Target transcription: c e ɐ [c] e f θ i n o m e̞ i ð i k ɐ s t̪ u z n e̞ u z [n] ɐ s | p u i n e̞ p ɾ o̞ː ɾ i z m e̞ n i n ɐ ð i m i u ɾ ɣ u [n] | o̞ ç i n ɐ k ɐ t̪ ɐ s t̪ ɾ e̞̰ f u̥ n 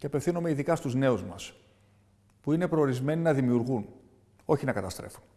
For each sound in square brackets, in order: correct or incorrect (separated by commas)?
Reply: incorrect, incorrect, correct